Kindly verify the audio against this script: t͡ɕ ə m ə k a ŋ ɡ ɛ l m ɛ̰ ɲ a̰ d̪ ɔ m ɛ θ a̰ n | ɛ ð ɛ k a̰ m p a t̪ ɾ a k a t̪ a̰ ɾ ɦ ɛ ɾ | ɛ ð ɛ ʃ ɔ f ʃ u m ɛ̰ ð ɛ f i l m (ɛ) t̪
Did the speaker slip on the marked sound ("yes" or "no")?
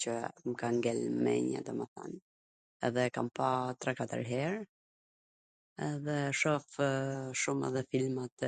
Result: yes